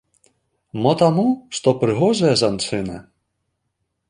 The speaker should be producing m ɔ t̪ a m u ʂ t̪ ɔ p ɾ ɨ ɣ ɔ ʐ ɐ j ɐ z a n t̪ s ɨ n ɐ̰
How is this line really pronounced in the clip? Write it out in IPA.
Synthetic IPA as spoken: m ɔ t̪ a m u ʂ t̪ ɔ p ɾ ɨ ɣ ɔ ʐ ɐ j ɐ z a n t̪ s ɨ n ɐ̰

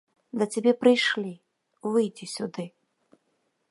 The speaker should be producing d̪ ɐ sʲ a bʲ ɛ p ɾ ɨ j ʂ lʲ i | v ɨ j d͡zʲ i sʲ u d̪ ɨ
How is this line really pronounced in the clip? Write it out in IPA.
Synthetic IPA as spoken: d̪ ɐ t͡sʲ a bʲ ɛ p ɾ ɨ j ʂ lʲ i | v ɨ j d͡zʲ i sʲ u d̪ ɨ

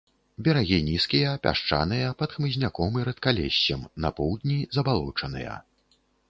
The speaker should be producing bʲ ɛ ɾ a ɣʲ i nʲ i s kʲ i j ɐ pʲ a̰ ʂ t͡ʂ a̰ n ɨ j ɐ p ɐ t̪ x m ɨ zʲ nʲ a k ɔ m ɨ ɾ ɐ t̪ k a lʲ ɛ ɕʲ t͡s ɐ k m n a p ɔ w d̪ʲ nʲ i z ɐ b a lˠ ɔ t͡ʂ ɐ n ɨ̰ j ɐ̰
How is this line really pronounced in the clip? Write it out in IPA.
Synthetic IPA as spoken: bʲ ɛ ɾ a ɣʲ i nʲ i s kʲ i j ɐ pʲ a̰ ʂ t͡ʂ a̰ n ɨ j ɐ p ɐ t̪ x m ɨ zʲ nʲ a k ɔ m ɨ ɾ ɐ t̪ k a lʲ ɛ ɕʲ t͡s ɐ m n ɐ p ɔ w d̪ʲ nʲ i z ɐ b a lˠ ɔ t͡ʂ ɐ n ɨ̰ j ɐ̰

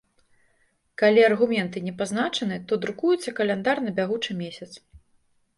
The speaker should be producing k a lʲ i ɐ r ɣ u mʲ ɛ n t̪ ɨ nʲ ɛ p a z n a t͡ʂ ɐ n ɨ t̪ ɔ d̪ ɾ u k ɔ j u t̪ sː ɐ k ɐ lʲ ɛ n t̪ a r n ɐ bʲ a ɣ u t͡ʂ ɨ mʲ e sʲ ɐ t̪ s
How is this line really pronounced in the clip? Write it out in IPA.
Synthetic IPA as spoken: k a lʲ i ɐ r ɣ u mʲ ɛ n t̪ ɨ nʲ ɛ p a z n a t͡ʂ ɐ n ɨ t̪ ɔ d̪ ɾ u k u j u t̪ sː ɐ k ɐ lʲ ɛ n d̪ a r n ɐ bʲ a ɣ u t͡ʂ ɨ mʲ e sʲ ɐ t̪ s

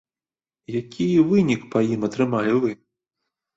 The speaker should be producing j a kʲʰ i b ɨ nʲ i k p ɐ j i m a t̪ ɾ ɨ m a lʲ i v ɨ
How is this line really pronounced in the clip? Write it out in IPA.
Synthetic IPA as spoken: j a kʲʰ i v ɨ nʲ i k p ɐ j i m ɐ t̪ ɾ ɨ m a lʲ i v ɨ

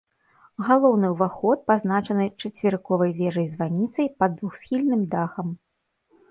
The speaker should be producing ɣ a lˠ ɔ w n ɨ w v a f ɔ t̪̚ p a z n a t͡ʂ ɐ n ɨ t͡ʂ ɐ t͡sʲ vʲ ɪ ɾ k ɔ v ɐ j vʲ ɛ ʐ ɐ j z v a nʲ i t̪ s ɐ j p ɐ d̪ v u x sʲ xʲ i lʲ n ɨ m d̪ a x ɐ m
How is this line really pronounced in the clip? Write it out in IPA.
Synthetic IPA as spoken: ɣ a lˠ ɔ w n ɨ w v a x ɔ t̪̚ p a z n a t͡ʂ ɐ n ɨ t͡ʂ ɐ t͡sʲ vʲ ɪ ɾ k ɔ v ɐ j vʲ ɛ ʐ ɐ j z v a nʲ i t̪ s ɐ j p ɐ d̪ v u x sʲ xʲ i lʲ n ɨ m d̪ a x ɐ m

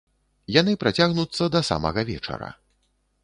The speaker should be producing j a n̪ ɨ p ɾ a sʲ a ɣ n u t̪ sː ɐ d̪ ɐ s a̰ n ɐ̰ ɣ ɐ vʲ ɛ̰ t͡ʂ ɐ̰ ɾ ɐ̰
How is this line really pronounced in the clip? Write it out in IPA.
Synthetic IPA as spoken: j a n̪ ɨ p ɾ a t͡sʲ a ɣ n u t̪ sː ɐ d̪ ɐ s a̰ m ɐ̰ ɣ ɐ vʲ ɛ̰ t͡ʂ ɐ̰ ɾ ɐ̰

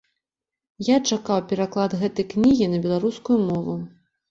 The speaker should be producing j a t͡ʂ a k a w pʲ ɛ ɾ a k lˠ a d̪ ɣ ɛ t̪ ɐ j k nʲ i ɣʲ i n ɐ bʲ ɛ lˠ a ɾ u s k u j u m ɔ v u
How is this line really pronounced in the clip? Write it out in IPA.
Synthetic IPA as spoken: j a t͡ʂ a k a w pʲ ɛ ɾ a k lˠ a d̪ ɣ ɛ t̪ ɐ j k nʲ i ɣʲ i n ɐ bʲ ɛ lˠ a ɾ u s k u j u m ɔ v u

